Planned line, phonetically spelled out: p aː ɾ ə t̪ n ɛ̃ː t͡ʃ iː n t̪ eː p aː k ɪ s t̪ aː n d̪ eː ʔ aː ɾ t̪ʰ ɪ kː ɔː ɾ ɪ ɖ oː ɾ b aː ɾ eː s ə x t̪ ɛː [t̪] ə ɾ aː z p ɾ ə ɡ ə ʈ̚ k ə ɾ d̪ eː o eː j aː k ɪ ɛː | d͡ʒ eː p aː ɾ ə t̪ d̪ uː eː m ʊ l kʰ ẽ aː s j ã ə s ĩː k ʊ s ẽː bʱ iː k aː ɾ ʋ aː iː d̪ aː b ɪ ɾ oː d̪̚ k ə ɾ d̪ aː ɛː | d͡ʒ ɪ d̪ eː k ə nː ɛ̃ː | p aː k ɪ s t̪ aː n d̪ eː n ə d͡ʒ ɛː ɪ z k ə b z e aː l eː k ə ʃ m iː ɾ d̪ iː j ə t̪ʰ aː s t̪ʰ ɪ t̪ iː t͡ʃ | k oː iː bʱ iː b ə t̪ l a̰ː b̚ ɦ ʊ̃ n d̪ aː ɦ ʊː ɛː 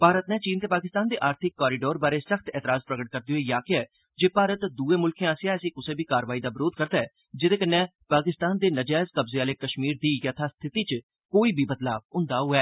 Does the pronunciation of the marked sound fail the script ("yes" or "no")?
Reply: no